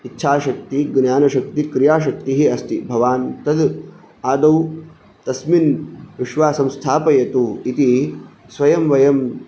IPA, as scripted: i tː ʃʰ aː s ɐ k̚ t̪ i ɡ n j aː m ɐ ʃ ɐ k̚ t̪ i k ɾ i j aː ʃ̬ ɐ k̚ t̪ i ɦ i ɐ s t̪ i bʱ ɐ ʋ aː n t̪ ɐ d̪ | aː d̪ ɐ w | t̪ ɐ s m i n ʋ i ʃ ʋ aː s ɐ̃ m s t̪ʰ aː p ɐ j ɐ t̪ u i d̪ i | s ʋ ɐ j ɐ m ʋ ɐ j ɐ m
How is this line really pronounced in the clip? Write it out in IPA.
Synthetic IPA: i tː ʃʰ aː ʃ ɐ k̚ t̪ i ɡ n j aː n ɐ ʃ ɐ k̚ t̪ i k ɾ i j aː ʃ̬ ɐ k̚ t̪ i ɦ i ɐ s t̪ i bʱ ɐ ʋ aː n t̪ ɐ d̪ | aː d̪ ɐ w | t̪ ɐ s m i n ʋ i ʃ ʋ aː s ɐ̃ m s t̪ʰ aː p ɐ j ɐ t̪ u i t̪ i | s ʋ ɐ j ɐ m ʋ ɐ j ɐ m